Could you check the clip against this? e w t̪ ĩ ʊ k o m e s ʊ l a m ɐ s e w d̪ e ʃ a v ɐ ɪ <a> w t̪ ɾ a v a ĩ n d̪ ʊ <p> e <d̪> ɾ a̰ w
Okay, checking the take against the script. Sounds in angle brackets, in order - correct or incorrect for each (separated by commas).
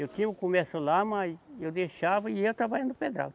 incorrect, correct, correct